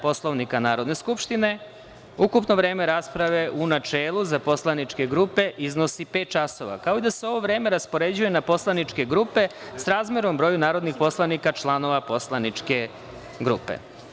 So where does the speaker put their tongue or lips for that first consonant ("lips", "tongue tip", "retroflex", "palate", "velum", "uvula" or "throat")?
lips